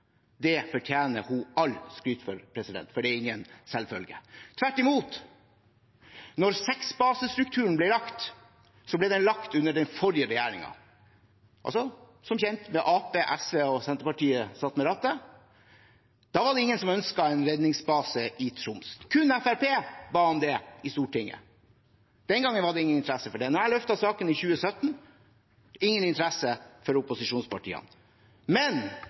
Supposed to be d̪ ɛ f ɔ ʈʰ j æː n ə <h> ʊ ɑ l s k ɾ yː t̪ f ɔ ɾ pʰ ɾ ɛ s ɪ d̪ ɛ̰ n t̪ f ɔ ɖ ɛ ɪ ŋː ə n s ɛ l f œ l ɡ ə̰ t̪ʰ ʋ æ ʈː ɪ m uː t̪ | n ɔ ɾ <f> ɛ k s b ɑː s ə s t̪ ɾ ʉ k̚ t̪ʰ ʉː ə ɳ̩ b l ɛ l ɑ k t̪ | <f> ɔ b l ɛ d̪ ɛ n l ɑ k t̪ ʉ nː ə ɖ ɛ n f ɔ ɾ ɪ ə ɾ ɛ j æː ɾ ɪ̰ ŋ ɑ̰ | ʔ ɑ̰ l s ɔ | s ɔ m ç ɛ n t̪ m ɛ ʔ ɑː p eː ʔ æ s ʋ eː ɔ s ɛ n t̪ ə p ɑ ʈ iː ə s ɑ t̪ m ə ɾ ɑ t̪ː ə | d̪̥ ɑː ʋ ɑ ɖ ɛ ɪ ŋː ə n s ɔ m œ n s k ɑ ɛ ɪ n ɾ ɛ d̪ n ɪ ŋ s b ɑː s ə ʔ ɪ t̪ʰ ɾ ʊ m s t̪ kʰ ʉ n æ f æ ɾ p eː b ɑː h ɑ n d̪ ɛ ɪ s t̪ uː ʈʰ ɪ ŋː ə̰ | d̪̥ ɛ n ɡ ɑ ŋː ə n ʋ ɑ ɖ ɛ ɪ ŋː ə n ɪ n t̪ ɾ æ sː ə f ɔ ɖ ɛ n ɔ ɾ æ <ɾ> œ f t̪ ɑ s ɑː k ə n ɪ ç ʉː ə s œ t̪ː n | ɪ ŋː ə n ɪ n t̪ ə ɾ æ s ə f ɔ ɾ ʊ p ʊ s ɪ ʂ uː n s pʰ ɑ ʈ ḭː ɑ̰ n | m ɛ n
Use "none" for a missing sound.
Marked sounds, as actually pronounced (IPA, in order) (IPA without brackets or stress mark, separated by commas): h, s, s, l